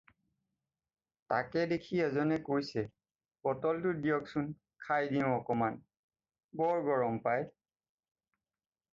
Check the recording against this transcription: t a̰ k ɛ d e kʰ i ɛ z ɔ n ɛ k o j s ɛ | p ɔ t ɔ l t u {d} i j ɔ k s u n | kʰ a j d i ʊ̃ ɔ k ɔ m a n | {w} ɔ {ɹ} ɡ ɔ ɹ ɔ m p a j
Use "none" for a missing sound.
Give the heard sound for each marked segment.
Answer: d, b, ɹ

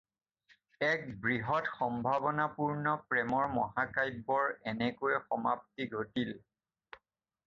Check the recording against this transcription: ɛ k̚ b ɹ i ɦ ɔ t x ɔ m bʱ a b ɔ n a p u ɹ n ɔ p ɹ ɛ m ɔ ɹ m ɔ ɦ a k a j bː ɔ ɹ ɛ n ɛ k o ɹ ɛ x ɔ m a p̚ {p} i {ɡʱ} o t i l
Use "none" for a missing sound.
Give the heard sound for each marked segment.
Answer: t, ɡʱ

